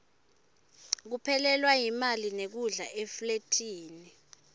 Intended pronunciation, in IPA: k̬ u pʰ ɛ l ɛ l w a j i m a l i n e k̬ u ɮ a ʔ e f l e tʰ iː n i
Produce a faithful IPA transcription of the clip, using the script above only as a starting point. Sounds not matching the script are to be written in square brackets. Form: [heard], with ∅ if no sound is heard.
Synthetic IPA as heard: k̬ u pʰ ɛ l ɛ l w a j i m a l i n e k̬ u ɮ a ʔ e f l e tʰ iː n i